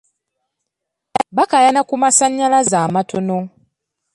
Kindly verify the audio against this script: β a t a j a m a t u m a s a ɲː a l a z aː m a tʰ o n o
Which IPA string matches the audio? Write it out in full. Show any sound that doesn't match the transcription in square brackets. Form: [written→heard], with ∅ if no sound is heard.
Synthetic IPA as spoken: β a [t→k] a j a [m→n] a [t→k] u m a s a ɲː a l a z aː m a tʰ o n o